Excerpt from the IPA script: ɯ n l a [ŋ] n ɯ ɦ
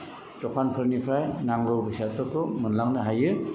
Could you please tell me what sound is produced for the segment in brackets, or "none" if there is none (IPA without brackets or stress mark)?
ŋ